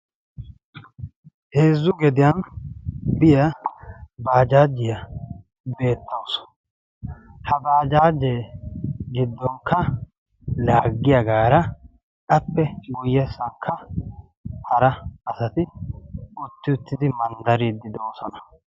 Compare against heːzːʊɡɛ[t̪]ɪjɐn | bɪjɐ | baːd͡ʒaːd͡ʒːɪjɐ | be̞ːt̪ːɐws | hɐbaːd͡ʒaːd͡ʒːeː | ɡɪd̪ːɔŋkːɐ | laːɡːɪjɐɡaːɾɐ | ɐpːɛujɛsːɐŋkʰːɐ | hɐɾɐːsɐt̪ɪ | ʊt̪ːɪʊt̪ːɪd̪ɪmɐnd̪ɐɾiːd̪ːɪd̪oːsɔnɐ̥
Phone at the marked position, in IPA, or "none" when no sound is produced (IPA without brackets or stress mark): d̪